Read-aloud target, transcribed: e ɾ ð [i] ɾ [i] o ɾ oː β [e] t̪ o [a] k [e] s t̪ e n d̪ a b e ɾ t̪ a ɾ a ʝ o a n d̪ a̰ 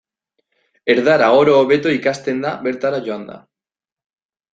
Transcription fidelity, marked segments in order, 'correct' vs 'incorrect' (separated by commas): incorrect, incorrect, correct, incorrect, incorrect